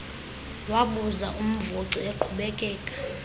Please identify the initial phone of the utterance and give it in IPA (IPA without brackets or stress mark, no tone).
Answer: w